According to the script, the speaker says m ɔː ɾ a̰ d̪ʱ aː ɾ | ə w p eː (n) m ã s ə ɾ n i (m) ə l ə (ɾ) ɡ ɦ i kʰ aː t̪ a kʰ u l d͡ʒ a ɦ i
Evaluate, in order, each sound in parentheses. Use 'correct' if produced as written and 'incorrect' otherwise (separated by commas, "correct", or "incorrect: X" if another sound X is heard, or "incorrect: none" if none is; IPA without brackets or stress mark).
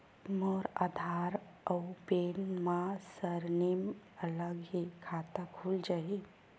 correct, correct, incorrect: none